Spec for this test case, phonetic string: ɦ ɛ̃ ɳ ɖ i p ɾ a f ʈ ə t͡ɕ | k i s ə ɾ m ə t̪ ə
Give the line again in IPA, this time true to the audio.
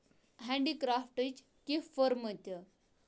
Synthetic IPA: ɦ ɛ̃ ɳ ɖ i k ɾ a f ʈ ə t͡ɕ | k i f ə ɾ m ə t̪ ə